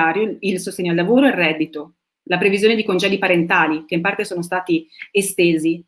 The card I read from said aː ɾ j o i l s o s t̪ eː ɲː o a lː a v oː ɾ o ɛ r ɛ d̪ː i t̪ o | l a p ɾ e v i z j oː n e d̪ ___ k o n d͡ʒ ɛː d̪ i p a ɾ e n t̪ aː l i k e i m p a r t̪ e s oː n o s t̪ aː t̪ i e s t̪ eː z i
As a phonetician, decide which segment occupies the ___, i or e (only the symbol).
i